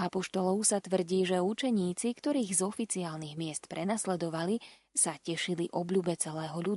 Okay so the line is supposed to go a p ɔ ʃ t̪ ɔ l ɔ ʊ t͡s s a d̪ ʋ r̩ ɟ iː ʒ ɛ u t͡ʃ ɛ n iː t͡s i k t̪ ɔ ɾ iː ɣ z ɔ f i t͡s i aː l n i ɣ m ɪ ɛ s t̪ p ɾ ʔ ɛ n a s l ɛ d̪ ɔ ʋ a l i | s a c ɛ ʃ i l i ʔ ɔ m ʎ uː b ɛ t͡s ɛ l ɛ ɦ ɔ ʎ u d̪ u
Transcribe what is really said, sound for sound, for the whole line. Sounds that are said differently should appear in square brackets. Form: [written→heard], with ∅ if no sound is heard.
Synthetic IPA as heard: a p ɔ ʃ t̪ ɔ l ɔ ʊ [t͡s→∅] s a [d̪→t̪] ʋ r̩ ɟ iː ʒ ɛ u t͡ʃ ɛ [n→ɲ] iː t͡s i k t̪ ɔ ɾ iː ɣ z ɔ f i t͡s i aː l n i ɣ m ɪ ɛ s t̪ p ɾ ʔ ɛ n a s l ɛ d̪ ɔ ʋ a l i | s a c ɛ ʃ i l i ʔ ɔ [m→b] ʎ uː b ɛ t͡s ɛ l [ɛ→ɛː] ɦ ɔ ʎ u d̪ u